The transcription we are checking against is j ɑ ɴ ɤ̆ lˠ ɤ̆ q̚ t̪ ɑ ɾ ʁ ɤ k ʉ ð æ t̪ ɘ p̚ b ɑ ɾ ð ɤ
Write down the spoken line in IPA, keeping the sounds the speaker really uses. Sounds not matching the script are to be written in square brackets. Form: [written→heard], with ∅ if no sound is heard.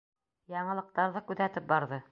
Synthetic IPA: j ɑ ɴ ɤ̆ lˠ ɤ̆ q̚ t̪ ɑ ɾ [ʁ→ð] ɤ k ʉ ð æ t̪ ɘ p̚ b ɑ ɾ ð ɤ